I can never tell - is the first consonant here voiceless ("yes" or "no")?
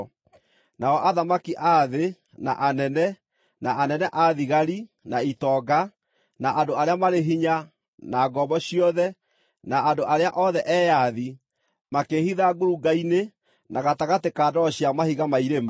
no